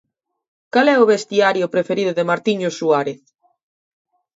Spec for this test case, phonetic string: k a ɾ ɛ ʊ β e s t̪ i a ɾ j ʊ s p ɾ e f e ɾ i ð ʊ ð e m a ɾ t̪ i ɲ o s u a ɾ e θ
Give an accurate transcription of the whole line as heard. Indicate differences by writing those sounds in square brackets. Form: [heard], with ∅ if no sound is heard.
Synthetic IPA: k a [l] ɛ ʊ β e s t̪ i a ɾ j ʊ [∅] p ɾ e f e ɾ i ð ʊ ð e m a ɾ t̪ i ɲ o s u a ɾ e θ

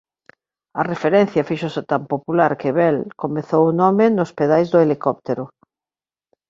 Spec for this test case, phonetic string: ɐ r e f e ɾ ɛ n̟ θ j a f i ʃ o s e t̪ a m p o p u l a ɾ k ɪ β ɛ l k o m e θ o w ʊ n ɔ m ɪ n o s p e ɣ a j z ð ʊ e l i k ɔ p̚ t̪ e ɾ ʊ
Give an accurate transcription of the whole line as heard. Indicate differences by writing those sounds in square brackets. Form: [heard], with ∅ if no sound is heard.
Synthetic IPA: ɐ r e f e ɾ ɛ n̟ θ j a f i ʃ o s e t̪ a m p o p u l a ɾ k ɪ β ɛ l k o m e θ o w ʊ n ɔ m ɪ n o s p e [ð] a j z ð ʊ e l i k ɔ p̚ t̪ e ɾ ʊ

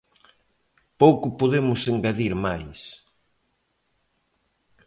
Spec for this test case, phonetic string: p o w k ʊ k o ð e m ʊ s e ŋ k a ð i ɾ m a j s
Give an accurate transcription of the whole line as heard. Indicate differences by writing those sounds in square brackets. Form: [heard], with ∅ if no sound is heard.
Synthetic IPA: p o w k ʊ [p] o ð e m ʊ s e ŋ [ɡ] a ð i ɾ m a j s

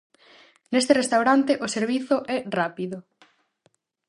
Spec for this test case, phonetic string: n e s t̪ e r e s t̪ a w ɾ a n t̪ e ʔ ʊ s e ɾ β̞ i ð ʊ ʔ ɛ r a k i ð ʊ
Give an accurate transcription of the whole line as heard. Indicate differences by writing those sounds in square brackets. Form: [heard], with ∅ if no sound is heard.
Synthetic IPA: n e s t̪ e r e s t̪ a w ɾ a n t̪ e ʔ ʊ s e ɾ β̞ i [θ] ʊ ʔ ɛ r a [p] i ð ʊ

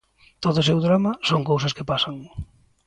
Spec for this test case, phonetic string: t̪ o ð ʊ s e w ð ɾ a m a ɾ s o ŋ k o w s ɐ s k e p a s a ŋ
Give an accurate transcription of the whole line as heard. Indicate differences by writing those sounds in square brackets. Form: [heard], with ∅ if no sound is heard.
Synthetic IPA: t̪ o ð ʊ s e w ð ɾ a m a [∅] s o ŋ k o w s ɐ s k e p a s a ŋ

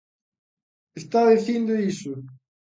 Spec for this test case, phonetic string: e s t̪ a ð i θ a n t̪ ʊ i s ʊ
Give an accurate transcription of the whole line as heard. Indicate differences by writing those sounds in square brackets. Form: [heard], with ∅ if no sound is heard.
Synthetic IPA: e s t̪ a ð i θ [i] n [d̪] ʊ i s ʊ

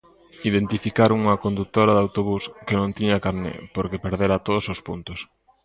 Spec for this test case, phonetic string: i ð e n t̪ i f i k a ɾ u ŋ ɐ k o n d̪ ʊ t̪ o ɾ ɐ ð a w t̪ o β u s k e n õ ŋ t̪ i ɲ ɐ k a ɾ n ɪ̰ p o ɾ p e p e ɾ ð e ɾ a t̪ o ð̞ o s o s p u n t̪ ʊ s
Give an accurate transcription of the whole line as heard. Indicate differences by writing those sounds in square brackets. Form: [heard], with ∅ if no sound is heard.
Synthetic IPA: i ð e n t̪ i f i k a ɾ u ŋ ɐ k o n d̪ [u] t̪ o ɾ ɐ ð a w t̪ o β u s k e n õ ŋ t̪ i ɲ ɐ k a ɾ n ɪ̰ p o ɾ [k] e p e ɾ ð e ɾ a t̪ o ð̞ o s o s p u n t̪ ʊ s

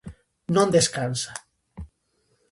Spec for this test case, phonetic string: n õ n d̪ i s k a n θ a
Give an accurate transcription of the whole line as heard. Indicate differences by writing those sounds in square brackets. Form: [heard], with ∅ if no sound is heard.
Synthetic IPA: n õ n d̪ [e] s k a n [s] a

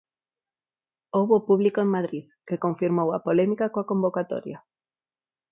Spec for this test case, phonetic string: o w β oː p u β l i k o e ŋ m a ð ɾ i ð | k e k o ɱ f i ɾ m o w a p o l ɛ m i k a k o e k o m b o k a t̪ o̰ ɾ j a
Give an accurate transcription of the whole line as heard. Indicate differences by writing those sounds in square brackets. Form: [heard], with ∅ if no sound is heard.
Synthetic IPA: o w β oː p u β l i k o e ŋ m a ð ɾ i ð | k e k o ɱ f i ɾ m o w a p o l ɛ m i k a k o [a] k o m b o k a t̪ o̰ ɾ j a

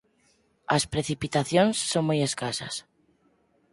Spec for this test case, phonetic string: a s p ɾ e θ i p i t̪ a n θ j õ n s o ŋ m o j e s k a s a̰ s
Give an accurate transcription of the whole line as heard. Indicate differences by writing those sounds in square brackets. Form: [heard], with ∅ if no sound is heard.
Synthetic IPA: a s p ɾ e θ i p i t̪ a [∅] θ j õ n [sː] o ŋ m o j e s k a s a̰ s

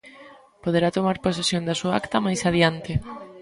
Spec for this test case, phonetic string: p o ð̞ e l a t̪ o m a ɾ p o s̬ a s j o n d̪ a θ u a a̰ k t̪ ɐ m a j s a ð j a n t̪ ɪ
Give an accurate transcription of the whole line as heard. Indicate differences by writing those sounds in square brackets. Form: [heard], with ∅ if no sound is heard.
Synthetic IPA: p o ð̞ e [ɾ] a t̪ o m a ɾ p o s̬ [e] s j o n d̪ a [s] u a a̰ k t̪ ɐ m a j s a ð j a n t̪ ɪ

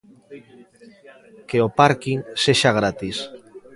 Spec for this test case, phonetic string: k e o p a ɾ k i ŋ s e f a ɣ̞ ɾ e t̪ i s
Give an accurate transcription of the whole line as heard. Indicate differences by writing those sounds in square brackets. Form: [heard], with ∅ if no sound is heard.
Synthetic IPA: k e o p a ɾ k i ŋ s e [ʃ] a ɣ̞ ɾ [a] t̪ i s

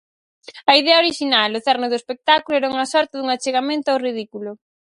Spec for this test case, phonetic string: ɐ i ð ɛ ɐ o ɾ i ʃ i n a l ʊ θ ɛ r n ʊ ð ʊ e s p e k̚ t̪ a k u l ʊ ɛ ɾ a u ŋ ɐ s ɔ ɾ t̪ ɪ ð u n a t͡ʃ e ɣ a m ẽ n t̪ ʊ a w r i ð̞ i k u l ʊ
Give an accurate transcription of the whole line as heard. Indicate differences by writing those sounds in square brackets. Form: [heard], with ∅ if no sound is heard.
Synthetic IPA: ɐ i ð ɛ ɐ o ɾ i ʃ i n a l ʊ θ ɛ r n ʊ ð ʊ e s p e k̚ t̪ a k u l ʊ ɛ ɾ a u ŋ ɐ s ɔ ɾ t̪ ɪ ð u [ŋ] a t͡ʃ e ɣ a m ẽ n t̪ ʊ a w r i ð̞ i k u l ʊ

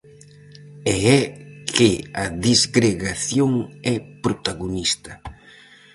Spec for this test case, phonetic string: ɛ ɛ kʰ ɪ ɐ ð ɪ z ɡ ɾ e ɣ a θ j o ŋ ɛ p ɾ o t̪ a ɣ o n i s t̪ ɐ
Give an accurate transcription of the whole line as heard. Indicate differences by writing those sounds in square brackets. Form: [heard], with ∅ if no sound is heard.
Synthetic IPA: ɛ ɛ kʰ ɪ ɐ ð [i] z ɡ ɾ e ɣ a θ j o ŋ ɛ p ɾ o t̪ a ɣ o n i s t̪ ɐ

